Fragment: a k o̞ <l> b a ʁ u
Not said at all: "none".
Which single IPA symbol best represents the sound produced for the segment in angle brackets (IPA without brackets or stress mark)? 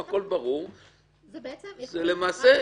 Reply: l